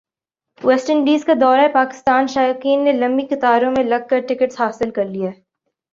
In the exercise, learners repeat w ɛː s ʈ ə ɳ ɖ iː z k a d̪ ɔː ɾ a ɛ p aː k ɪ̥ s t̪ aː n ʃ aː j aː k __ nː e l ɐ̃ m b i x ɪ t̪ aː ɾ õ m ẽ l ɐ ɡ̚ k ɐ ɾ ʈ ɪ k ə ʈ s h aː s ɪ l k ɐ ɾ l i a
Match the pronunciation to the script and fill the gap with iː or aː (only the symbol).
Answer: iː